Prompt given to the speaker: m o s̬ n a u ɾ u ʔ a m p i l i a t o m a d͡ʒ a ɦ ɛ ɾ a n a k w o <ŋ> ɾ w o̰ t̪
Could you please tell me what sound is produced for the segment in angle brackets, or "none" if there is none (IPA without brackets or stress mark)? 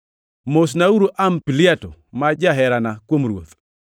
m